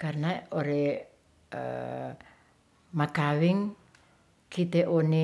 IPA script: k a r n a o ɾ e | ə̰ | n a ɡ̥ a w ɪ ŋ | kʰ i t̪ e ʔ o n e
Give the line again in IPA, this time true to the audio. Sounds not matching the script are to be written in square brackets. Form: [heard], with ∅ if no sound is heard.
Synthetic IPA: k a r n a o ɾ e | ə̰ | [m] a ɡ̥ a w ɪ ŋ | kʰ i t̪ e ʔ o n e